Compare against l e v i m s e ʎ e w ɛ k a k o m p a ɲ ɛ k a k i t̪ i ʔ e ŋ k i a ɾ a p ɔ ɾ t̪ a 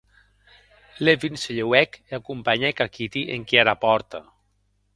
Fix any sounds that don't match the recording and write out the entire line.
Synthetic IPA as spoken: l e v i n s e ʎ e w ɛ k a k u m p a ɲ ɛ k a k i t̪ i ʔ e ŋ k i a ɾ a p ɔ ɾ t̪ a